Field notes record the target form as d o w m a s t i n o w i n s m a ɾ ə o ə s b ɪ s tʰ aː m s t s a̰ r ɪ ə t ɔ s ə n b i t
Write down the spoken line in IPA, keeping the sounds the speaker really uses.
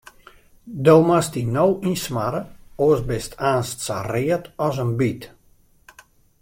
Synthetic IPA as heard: d o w m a s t i n o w i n s m a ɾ ə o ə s b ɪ s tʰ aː n s t s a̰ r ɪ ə t ɔ s ə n b i t